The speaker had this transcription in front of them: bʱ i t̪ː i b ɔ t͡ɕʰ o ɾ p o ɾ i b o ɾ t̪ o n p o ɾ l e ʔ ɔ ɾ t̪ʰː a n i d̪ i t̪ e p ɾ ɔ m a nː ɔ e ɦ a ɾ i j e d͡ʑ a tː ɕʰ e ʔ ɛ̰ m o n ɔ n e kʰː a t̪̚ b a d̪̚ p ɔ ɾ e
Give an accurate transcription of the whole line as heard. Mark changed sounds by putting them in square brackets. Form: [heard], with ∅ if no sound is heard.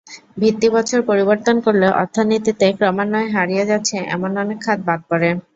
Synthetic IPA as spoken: bʱ i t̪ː i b ɔ t͡ɕʰ o ɾ p o ɾ i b o ɾ t̪ o n [k] o ɾ l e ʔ ɔ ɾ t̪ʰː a n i [t̪] i t̪ e [k] ɾ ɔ m a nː ɔ e ɦ a ɾ i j e d͡ʑ a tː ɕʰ e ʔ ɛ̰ m o n ɔ n e kʰː a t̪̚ b a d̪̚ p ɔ ɾ e